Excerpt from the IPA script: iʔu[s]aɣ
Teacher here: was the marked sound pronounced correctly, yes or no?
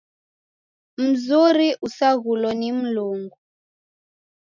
yes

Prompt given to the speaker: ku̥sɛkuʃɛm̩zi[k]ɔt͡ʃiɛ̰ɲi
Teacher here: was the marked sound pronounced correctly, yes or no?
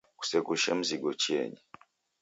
no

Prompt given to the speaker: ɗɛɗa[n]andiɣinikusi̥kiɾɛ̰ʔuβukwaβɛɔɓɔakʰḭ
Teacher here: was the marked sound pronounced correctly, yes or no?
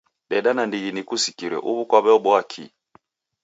yes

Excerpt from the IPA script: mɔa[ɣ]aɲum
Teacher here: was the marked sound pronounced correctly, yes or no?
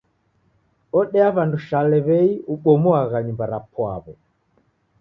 yes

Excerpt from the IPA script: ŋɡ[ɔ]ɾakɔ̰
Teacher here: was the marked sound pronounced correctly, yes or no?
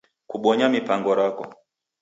yes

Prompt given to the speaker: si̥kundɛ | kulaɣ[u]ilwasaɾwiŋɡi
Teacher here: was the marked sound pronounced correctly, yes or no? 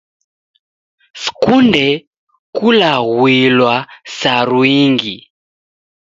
no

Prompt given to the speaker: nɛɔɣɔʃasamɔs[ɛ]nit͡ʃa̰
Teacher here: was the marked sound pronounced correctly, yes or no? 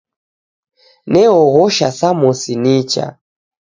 no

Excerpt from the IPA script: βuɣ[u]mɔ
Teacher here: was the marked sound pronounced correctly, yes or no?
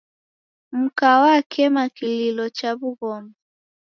no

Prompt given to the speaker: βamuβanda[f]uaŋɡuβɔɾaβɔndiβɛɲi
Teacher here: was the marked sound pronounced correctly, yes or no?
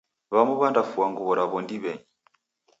yes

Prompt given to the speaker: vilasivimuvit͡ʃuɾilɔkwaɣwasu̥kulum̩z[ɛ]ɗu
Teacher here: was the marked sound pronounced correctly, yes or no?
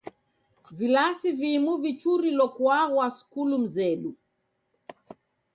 yes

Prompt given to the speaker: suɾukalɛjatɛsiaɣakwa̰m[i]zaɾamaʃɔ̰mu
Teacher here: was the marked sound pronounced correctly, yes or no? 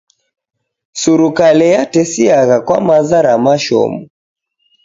no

